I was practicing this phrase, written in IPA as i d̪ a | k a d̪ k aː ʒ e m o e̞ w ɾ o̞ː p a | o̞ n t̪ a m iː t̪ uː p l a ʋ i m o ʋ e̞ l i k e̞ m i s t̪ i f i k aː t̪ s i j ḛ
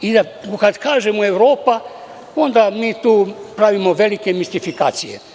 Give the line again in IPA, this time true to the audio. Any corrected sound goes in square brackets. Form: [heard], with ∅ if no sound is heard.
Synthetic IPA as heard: i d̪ a | k a d̪ k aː ʒ e m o e̞ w ɾ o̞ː p a | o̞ n [d̪] a m iː t̪ uː p [ɾ] a ʋ i m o ʋ e̞ l i k e̞ m i s t̪ i f i k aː t̪ s i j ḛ